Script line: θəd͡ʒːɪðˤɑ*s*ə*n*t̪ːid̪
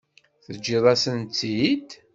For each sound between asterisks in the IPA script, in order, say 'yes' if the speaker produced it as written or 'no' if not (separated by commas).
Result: yes, yes